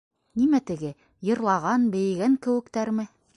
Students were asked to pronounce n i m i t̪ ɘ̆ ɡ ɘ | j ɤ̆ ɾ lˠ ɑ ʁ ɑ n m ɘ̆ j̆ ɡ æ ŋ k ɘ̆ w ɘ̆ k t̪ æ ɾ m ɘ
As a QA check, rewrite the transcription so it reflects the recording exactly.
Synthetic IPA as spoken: n i m æ t̪ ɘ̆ ɡ ɘ | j ɤ̆ ɾ lˠ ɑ ʁ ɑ n b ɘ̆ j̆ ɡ æ ŋ k ɘ̆ w ɘ̆ k t̪ æ ɾ m ɘ